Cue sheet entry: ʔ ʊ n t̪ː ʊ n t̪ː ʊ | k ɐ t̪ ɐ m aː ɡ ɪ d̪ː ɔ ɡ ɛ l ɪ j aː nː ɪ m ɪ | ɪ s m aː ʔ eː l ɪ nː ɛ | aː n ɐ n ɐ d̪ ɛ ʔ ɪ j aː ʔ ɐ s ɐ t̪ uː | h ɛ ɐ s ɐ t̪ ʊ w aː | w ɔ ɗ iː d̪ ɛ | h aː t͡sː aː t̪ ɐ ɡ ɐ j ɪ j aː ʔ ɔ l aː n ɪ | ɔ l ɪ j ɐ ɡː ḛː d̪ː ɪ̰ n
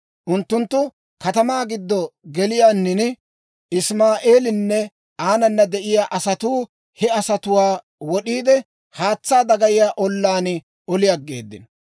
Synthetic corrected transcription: ʔ ʊ n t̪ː ʊ n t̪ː ʊ | k ɐ t̪ ɐ m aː ɡ ɪ d̪ː ɔ ɡ ɛ l ɪ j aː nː ɪ n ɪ | ɪ s m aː ʔ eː l ɪ nː ɛ | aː n ɐ nː ɐ d̪ ɛ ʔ ɪ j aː ʔ ɐ s ɐ t̪ uː | h ɛ ɐ s ɐ t̪ ʊ w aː | w ɔ ɗ iː d̪ ɛ | h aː t͡sː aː d̪ ɐ ɡ ɐ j ɪ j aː ʔ ɔ lː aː n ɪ | ɔ l ɪ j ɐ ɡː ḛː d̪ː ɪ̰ n